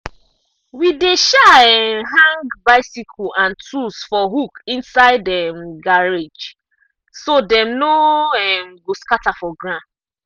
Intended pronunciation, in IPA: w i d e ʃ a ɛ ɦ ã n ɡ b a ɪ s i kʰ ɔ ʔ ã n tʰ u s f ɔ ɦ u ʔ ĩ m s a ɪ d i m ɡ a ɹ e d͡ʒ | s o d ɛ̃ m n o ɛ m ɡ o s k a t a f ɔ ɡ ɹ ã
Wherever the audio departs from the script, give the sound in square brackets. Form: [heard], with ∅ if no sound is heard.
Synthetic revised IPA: w i d e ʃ a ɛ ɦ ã [ŋ] ɡ b a ɪ s i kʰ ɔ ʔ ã n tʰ u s f ɔ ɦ u [k] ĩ [n] s a ɪ d [ɛ] m ɡ a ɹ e d͡ʒ | s o d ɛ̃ m n o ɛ m ɡ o s k a t a f ɔ ɡ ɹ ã